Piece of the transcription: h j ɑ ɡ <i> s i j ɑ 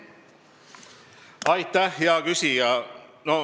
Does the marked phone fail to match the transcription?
yes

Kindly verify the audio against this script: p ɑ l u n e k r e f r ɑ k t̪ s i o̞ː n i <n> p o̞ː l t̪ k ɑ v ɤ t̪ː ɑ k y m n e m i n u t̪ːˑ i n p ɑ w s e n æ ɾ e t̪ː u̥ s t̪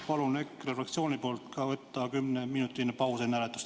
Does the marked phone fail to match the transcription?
yes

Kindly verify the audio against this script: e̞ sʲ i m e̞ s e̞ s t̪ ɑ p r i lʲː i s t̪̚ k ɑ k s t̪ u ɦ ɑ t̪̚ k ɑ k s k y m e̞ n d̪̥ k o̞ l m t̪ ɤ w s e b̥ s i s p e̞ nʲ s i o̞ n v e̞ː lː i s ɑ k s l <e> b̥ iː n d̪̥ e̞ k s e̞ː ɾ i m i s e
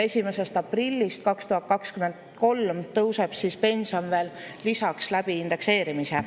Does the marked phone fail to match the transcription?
yes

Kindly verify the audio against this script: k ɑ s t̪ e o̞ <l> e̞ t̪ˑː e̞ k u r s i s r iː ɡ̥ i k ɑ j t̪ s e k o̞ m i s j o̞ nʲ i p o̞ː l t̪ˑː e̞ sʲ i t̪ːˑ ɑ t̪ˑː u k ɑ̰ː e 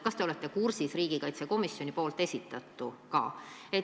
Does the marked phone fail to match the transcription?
no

